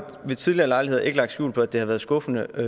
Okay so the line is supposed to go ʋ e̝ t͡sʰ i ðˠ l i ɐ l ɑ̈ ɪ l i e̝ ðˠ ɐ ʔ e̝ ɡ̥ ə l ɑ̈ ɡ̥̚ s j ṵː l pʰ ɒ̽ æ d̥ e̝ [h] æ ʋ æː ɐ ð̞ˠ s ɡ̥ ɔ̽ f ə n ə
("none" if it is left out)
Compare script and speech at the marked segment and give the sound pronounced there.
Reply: h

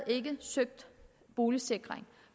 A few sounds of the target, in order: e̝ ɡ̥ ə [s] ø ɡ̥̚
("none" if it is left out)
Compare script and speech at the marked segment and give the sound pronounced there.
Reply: s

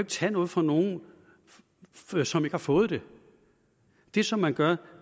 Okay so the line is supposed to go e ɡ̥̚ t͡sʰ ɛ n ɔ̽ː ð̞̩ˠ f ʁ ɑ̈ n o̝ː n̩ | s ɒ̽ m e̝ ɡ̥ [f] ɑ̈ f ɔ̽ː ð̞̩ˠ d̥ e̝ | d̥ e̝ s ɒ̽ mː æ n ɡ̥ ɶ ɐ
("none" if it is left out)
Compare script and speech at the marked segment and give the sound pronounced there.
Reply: h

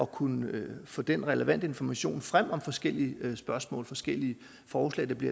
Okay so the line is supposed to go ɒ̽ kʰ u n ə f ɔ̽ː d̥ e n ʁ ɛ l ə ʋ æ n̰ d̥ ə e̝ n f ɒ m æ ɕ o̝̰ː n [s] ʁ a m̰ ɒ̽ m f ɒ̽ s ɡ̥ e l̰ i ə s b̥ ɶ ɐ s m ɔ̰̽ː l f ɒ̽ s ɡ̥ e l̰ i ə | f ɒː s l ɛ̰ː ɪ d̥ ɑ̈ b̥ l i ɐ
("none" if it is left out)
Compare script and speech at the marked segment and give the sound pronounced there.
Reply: f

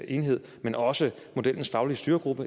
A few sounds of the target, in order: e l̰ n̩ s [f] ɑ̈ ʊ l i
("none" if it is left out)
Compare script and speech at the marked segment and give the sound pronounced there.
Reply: f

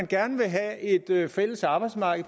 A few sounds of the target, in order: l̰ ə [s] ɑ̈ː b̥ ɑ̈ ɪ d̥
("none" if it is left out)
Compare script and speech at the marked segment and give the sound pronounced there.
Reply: s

